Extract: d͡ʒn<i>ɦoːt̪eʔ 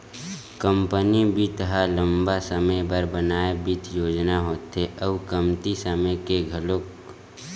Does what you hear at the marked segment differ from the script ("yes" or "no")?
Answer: yes